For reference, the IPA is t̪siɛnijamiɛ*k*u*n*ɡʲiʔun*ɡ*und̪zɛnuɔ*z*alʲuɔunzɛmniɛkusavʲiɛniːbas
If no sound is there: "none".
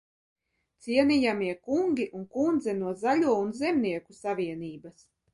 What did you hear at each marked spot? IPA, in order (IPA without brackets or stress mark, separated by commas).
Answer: k, ŋ, k, z